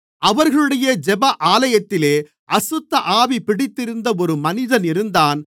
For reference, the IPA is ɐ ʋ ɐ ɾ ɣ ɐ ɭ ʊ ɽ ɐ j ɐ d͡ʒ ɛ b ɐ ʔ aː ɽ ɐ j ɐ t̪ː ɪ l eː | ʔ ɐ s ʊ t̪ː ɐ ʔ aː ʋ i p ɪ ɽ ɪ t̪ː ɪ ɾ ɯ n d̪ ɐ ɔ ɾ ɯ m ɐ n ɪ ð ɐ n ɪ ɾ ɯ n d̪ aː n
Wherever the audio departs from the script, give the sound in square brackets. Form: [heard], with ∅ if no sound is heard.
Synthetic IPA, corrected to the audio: ɐ ʋ ɐ ɾ ɣ ɐ ɭ [ɯ] ɽ ɐ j ɐ d͡ʒ ɛ b ɐ ʔ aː [l] ɐ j ɐ t̪ː ɪ l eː | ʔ ɐ s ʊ t̪ː ɐ ʔ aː ʋ i p ɪ ɽ ɪ t̪ː ɪ ɾ ɯ n d̪ ɐ ɔ ɾ ɯ m ɐ n ɪ ð ɐ n ɪ ɾ ɯ n d̪ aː n